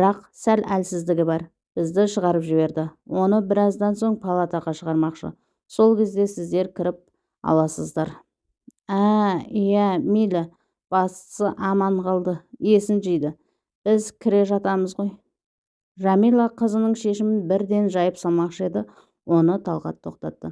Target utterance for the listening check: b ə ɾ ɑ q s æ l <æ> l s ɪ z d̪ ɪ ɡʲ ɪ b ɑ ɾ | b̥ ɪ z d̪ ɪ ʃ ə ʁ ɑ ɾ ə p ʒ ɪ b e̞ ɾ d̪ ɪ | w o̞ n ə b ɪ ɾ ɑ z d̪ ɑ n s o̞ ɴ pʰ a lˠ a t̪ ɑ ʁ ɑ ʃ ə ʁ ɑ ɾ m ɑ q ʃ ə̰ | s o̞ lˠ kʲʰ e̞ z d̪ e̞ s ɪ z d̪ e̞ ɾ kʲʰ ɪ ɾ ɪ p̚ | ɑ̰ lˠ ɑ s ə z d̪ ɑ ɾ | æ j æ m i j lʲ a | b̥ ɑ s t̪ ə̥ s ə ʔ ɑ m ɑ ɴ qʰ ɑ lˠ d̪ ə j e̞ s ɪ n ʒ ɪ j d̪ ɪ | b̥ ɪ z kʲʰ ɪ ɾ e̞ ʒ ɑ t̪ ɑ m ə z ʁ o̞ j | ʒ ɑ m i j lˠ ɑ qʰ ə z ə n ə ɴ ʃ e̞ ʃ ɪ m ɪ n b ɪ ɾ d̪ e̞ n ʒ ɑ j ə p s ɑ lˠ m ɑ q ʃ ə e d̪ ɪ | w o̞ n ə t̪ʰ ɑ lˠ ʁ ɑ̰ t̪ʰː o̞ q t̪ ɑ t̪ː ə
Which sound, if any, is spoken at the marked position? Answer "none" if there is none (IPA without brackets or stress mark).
æ